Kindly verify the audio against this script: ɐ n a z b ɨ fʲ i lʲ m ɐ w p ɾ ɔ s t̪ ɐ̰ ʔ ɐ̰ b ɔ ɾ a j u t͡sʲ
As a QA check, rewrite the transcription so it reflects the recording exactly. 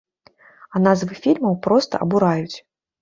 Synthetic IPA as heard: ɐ n a z v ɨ fʲ i lʲ m ɐ w p ɾ ɔ s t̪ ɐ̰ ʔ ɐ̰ b u ɾ a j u t͡sʲ

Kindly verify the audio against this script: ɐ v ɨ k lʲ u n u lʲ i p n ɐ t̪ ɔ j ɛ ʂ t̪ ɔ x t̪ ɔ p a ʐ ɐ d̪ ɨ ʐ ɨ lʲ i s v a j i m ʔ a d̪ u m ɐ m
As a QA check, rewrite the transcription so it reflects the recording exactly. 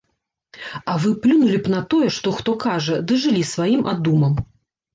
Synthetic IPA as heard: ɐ v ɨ p lʲ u n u lʲ i p n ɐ t̪ ɔ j ɛ ʂ t̪ ɔ x t̪ ɔ k a ʐ ɐ d̪ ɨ ʐ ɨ lʲ i s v a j i m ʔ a d̪ u m ɐ m

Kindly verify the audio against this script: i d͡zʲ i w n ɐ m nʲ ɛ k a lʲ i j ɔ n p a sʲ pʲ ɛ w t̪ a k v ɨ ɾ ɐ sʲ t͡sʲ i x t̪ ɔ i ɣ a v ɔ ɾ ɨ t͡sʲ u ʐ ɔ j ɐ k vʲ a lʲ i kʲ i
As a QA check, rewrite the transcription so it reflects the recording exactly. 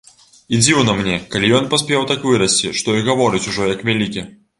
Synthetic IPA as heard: i d͡zʲ i w n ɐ m nʲ ɛ k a lʲ i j ɔ n p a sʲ pʲ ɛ w t̪ a k v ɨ ɾ ɐ sʲ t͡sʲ i ʂ t̪ ɔ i ɣ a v ɔ ɾ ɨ t͡sʲ u ʐ ɔ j ɐ k vʲ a lʲ i kʲ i

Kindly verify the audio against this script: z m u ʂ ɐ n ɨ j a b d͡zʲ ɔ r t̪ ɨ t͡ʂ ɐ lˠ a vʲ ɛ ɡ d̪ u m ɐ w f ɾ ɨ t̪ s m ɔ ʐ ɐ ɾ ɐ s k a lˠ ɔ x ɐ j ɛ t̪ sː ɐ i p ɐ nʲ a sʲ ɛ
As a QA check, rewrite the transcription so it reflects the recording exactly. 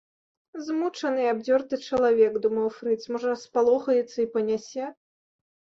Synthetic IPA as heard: z m u t͡ʂ ɐ n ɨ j a b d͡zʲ ɔ r t̪ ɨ t͡ʂ ɐ lˠ a vʲ ɛ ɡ d̪ u m ɐ w f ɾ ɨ t̪ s m ɔ ʐ ɐ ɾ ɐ s p a lˠ ɔ x ɐ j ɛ t̪ sː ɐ i p ɐ nʲ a sʲ ɛ

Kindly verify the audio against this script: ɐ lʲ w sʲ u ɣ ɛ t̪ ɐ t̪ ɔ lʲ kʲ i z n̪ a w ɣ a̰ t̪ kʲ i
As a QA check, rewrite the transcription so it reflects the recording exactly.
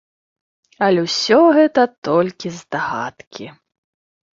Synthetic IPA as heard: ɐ lʲ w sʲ ɔ ɣ ɛ t̪ ɐ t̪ ɔ lʲ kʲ i z d̪ a ɣ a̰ t̪ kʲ i

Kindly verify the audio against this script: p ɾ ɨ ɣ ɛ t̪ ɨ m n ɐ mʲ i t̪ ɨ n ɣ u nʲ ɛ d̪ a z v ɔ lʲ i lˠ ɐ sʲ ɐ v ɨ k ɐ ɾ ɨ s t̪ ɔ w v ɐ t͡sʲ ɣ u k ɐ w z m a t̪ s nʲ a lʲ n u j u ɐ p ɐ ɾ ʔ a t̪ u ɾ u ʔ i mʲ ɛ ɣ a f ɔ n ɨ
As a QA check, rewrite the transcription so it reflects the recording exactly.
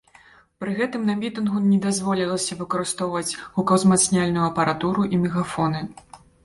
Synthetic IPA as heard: p ɾ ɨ ɣ ɛ t̪ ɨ m n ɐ mʲ i t̪ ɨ n ɣ u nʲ ɛ d̪ a z v ɔ lʲ i lˠ ɐ sʲ ɐ v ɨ k ɐ ɾ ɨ s t̪ ɔ w v ɐ t͡sʲ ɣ u k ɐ w z m a t̪ s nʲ a lʲ n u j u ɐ p ɐ ɾ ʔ a t̪ u ɾ u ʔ i mʲ ɛ ɣ a f ɔ n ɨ

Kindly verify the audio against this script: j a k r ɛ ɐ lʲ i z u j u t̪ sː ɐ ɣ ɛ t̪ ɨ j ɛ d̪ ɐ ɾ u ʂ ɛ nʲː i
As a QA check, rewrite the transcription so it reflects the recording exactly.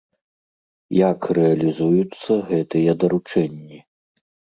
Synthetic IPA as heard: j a k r ɛ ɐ lʲ i z u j u t̪ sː ɐ ɣ ɛ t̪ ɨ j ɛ d̪ ɐ ɾ u t͡ʂ ɛ nʲː i

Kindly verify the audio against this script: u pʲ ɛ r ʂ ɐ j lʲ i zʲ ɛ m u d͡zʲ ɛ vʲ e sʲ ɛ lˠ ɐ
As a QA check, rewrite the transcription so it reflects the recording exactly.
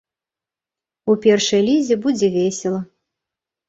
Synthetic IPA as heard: u pʲ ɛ r ʂ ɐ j lʲ i zʲ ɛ b u d͡zʲ ɛ vʲ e sʲ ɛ lˠ ɐ

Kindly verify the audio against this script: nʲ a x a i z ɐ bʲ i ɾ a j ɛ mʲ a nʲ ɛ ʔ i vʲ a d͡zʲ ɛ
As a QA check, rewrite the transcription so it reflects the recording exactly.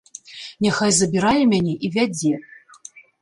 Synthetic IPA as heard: nʲ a x a j z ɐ bʲ i ɾ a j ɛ mʲ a nʲ ɛ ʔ i vʲ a d͡zʲ ɛ

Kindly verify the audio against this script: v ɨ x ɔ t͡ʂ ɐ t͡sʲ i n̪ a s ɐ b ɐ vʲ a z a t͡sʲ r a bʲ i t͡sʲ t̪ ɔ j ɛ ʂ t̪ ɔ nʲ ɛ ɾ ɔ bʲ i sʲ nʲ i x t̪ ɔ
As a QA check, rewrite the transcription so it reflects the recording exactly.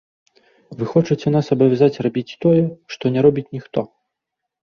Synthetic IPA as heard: v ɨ x ɔ t͡ʂ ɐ t͡sʲ ɛ n̪ a s ɐ b ɐ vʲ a z a t͡sʲ r a bʲ i t͡sʲ t̪ ɔ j ɛ ʂ t̪ ɔ nʲ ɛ ɾ ɔ bʲ i t͡sʲ nʲ i x t̪ ɔ

